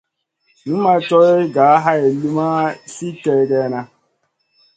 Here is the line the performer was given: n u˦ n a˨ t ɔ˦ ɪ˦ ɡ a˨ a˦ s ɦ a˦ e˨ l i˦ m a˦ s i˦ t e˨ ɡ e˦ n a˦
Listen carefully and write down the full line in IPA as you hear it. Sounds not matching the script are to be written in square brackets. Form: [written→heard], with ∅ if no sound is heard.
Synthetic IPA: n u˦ [n→m] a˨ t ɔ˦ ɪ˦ ɡ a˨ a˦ [s→∅] ɦ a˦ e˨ l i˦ m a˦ s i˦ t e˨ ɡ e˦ n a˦